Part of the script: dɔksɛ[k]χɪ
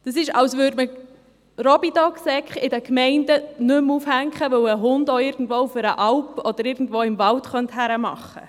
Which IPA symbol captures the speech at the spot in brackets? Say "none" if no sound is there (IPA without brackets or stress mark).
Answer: k